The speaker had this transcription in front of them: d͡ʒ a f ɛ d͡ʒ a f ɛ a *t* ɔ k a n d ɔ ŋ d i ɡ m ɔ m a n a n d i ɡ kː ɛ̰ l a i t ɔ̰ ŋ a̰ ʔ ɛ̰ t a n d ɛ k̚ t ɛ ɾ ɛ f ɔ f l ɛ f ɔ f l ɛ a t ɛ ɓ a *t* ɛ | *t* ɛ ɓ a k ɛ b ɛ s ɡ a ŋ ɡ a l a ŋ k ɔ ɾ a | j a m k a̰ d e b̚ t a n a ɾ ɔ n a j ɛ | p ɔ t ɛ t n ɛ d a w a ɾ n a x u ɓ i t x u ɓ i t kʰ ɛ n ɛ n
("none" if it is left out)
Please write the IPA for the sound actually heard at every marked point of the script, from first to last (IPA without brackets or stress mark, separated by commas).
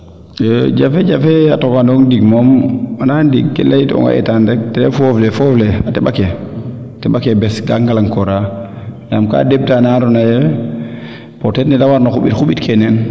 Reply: t, k, t